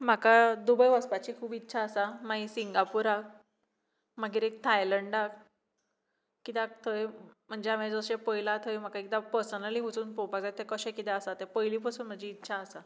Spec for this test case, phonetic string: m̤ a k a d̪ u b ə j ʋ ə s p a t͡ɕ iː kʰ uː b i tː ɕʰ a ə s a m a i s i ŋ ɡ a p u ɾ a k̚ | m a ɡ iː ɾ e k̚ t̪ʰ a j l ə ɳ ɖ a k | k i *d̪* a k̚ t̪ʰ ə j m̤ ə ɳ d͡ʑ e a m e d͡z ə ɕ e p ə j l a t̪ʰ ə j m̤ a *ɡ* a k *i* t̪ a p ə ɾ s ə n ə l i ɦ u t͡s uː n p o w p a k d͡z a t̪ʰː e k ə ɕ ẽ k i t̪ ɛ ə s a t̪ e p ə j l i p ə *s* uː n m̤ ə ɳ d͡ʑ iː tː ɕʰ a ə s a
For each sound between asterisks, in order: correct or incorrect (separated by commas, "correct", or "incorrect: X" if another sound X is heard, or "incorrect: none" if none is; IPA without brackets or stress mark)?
incorrect: t̪, incorrect: k, correct, correct